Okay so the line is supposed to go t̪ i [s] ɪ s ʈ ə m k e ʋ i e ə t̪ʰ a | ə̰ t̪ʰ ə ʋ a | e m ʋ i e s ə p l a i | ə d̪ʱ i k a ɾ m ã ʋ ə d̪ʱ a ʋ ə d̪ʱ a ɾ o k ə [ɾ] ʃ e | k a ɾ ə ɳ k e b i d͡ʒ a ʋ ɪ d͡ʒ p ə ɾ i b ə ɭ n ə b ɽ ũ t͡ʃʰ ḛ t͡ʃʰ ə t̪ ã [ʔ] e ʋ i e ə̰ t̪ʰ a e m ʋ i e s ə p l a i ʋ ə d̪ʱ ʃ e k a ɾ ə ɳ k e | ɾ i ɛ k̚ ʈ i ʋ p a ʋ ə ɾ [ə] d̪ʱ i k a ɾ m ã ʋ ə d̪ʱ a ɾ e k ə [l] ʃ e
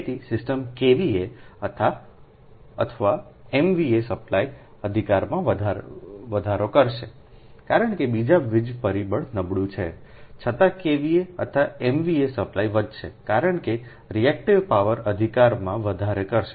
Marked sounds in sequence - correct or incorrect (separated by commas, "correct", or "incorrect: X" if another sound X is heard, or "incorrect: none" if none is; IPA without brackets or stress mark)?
correct, correct, incorrect: k, correct, incorrect: ɾ